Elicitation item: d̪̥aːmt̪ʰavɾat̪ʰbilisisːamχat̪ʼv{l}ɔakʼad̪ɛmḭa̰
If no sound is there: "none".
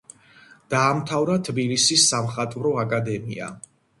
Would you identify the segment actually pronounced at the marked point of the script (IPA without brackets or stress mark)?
ɾ